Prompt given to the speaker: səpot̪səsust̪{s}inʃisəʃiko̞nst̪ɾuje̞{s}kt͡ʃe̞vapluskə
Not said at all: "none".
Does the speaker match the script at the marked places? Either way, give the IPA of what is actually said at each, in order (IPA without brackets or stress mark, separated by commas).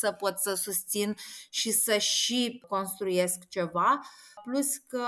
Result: s, s